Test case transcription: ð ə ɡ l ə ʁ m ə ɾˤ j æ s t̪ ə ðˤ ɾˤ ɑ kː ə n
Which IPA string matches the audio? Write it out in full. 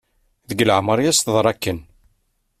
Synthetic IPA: ð ə ɡ l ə ʕ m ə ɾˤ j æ s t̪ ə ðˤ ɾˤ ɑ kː ə n